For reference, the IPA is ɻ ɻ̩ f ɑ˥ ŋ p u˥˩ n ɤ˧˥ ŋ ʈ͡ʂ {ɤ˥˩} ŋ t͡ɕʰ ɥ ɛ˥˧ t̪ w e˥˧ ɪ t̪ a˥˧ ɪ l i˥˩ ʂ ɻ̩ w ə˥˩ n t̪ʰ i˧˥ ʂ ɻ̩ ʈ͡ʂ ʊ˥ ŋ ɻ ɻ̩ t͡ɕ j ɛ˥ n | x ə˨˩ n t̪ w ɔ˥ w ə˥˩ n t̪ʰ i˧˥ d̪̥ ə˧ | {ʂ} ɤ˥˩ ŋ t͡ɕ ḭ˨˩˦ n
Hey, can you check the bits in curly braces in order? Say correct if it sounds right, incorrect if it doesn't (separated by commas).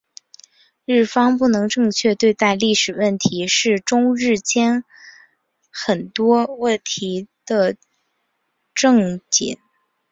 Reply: incorrect, incorrect